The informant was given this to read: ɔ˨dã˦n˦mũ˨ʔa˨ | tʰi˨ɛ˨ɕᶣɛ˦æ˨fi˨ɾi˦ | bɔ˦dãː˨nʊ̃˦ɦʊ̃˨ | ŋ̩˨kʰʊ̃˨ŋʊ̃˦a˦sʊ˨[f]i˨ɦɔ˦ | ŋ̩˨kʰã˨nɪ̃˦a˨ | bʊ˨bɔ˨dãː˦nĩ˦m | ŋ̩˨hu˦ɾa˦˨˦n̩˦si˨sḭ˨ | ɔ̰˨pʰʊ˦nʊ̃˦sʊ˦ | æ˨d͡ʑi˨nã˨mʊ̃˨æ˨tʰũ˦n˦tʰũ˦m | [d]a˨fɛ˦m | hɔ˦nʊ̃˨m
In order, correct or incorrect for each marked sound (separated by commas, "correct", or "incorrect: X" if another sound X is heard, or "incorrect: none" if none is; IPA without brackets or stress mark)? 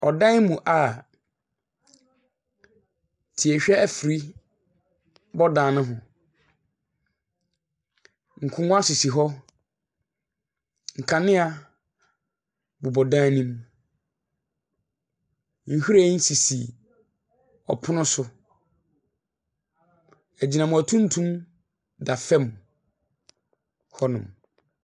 incorrect: s, correct